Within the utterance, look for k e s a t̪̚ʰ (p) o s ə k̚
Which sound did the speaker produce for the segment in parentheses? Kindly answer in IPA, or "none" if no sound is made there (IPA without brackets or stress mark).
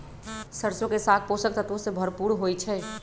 p